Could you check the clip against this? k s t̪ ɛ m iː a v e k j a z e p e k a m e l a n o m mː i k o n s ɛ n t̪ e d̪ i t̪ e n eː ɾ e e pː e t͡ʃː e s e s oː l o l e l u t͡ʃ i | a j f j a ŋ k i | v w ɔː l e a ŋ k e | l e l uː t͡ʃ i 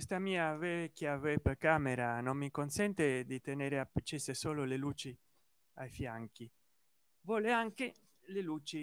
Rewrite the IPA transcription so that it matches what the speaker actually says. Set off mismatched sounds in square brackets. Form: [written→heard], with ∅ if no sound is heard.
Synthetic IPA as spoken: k s t̪ [ɛ→a] m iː a v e k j a [z→v] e p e k a m e [l→ɾ] a n o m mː i k o n s ɛ n t̪ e d̪ i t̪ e n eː ɾ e [e→a] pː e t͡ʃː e s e s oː l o l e l u t͡ʃ i | a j f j a ŋ k i | v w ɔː l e a ŋ k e | l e l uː t͡ʃ i

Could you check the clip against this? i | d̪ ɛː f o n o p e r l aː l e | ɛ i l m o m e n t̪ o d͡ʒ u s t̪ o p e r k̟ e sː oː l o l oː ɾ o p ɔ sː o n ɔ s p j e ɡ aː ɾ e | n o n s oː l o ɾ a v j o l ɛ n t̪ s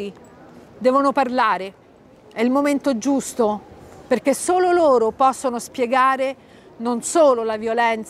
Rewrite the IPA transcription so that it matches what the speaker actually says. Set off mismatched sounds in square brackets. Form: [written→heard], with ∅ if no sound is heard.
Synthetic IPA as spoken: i | d̪ ɛː [f→v] o n o p [e→a] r l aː [l→ɾ] e | ɛ i l m o m e n t̪ o d͡ʒ u s t̪ o p e r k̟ e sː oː l o l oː ɾ o p ɔ sː o n [ɔ→o] s p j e ɡ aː ɾ e | n o n s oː l o [ɾ→l] a v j o l ɛ n t̪ s

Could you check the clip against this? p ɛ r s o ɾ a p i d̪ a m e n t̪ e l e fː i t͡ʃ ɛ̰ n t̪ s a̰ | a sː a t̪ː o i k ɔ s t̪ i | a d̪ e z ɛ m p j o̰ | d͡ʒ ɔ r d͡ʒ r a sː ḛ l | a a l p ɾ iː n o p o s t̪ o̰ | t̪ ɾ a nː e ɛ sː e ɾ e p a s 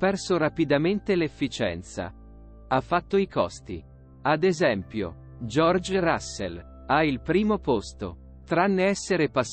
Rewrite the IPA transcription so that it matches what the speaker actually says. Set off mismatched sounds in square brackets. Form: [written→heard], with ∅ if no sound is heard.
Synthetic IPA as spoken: p ɛ r s o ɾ a p i d̪ a m e n t̪ e l e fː i t͡ʃ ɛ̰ n t̪ s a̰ | a [sː→fː] a t̪ː o i k ɔ s t̪ i | a d̪ e z ɛ m p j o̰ | d͡ʒ ɔ r d͡ʒ r a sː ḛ l | a [a→i] l p ɾ iː [n→m] o p o s t̪ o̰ | t̪ ɾ a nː e ɛ sː e ɾ e p a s

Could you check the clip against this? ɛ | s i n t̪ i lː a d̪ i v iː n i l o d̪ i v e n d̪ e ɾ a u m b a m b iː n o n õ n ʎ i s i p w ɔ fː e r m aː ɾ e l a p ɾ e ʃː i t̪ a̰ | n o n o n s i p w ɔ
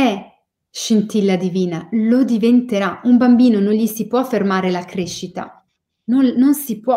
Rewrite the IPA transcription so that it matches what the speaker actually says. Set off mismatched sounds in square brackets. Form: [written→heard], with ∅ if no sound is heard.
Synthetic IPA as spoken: ɛ | [s→ʃ] i n t̪ i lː a d̪ i v iː n [i→a] l o d̪ i v e n [d̪→t̪] e ɾ a u m b a m b iː n o n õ n ʎ i s i p w ɔ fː e r m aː ɾ e l a [p→k] ɾ e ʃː i t̪ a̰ | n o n o n s i p w ɔ

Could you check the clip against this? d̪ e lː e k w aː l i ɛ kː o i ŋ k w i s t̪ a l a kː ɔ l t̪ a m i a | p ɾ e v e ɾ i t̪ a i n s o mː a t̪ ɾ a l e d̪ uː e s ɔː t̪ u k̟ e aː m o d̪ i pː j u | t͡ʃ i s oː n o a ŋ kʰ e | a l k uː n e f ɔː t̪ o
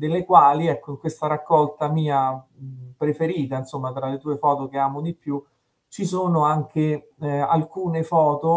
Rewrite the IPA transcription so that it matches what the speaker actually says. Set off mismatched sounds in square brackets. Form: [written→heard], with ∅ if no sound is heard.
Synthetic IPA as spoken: d̪ e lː e k w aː l i ɛ kː o i ŋ k w [i→e] s t̪ a [l→ɾ] a kː ɔ l t̪ a m [i→iː] a | p ɾ e [v→f] e ɾ [i→iː] t̪ a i n s o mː a t̪ ɾ a l e [d̪→t̪] uː e [s→f] ɔː t̪ [u→o] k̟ e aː m o d̪ i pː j u | t͡ʃ i s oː n o a ŋ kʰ e | a l k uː n e f ɔː t̪ o

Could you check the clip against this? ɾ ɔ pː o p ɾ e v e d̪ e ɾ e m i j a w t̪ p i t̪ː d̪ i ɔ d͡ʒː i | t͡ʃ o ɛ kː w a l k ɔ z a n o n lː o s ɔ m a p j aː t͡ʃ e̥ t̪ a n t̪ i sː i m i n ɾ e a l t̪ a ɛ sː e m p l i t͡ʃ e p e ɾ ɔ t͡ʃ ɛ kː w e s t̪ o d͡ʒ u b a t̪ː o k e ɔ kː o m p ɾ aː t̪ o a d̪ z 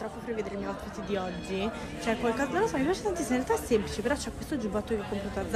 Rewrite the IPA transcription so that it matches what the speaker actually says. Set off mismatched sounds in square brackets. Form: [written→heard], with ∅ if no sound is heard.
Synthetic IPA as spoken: ɾ ɔ pː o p ɾ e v e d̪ e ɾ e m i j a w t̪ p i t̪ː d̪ i ɔ d͡ʒː i | t͡ʃ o ɛ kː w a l k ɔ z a n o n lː o s ɔ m [a→i] p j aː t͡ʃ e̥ t̪ a n t̪ i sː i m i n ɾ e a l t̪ a ɛ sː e m p l i t͡ʃ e p e ɾ ɔ t͡ʃ ɛ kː w e s t̪ o d͡ʒ u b a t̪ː o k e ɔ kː o m p ɾ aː t̪ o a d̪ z

